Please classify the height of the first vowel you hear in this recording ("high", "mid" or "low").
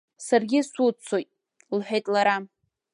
low